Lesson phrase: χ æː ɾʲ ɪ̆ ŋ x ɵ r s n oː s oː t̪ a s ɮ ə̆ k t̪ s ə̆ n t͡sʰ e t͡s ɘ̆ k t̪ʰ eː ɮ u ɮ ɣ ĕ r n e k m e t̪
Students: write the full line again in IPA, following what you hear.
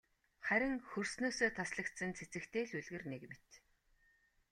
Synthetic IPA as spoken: χ æ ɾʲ ɪ̆ ŋ x ɵ r s n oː s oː t̪ʰ a s ɮ ə̆ k t̪ s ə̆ n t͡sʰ e t͡s ɘ̆ k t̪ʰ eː ɮ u ɮ ɣ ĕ r n e k m e t̪